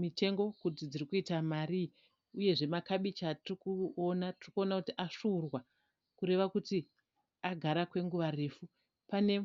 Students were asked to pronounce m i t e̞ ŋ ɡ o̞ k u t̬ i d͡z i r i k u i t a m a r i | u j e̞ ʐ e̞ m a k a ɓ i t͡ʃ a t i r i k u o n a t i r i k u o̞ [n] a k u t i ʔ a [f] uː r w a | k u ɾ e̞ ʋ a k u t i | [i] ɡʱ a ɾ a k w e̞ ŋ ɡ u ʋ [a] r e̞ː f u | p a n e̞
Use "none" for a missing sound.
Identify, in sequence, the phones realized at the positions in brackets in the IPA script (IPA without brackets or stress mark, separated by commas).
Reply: n, ʂ, a, a